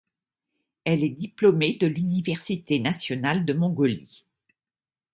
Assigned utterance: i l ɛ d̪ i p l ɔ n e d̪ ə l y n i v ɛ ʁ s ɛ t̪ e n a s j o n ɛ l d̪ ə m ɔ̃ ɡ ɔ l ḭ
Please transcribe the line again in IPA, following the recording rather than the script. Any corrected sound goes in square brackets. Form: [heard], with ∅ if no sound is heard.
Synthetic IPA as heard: [ɛ] l ɛ d̪ i p l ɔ [m] e d̪ ə l y n i v ɛ ʁ s [i] t̪ e n a s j [ɔ] n [a] l d̪ ə m ɔ̃ ɡ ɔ l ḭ